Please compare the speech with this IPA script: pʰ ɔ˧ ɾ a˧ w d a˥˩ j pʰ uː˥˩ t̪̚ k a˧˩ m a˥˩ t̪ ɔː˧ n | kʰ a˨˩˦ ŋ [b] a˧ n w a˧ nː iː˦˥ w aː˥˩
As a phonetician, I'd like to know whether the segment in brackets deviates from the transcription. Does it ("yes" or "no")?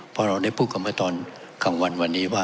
yes